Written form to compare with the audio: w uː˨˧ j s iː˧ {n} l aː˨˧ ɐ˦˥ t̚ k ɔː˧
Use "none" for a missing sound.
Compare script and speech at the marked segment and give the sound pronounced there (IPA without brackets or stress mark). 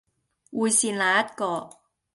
n